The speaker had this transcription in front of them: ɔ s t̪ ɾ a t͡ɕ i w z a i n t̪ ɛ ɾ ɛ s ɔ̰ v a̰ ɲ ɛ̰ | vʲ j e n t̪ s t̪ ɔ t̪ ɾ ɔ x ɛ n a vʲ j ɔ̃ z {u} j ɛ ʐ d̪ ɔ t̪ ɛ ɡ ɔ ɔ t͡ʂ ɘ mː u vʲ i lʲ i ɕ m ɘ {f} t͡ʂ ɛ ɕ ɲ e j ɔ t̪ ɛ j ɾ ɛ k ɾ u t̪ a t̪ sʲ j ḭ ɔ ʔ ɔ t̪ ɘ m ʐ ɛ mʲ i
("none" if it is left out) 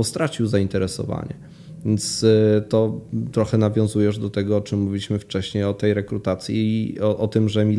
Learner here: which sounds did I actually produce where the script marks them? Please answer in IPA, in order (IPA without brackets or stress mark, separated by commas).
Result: u, f